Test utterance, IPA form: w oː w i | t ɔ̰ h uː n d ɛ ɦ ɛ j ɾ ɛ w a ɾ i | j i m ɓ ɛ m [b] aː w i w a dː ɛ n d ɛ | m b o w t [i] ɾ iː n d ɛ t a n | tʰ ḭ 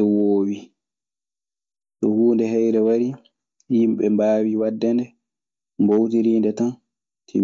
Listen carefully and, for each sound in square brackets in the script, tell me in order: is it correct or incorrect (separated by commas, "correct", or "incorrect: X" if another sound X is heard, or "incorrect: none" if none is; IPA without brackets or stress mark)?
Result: correct, correct